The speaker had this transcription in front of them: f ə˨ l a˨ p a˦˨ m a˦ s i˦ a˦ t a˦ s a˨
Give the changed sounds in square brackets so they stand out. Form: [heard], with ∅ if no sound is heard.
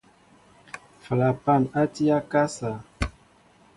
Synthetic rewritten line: f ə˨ l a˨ p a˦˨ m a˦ [t] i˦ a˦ [k] a˦ s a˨